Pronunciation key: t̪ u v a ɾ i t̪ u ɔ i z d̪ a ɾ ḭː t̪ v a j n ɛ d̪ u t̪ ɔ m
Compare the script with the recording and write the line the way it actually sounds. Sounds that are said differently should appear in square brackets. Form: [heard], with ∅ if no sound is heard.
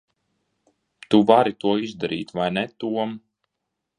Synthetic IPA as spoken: t̪ u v a ɾ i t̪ u ɔ i z d̪ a ɾ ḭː t̪ v a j n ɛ [t̪] u [∅] ɔ m